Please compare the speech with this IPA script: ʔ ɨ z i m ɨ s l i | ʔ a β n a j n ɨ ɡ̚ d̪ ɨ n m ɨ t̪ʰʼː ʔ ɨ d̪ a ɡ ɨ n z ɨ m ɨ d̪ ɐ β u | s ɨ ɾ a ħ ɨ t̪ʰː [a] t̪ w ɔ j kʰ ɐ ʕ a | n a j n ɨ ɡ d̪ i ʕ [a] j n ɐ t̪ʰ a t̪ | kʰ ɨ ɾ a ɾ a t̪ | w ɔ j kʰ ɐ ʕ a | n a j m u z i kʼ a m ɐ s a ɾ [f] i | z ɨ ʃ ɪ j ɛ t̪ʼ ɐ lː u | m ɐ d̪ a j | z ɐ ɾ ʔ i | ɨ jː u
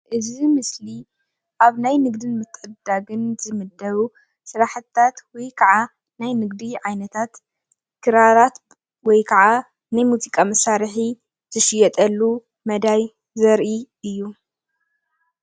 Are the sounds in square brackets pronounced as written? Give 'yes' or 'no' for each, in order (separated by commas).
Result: yes, yes, no